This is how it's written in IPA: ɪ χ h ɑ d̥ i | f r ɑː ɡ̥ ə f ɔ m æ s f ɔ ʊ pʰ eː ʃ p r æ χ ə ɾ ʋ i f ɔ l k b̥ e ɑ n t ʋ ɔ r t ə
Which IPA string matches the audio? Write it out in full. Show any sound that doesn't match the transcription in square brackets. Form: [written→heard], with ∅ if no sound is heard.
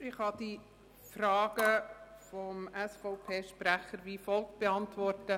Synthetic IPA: ɪ χ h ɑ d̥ i | f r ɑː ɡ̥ ə f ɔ m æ s f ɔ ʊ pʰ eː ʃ p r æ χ ə ɾ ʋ i f ɔ l k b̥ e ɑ n t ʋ ɔ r t ə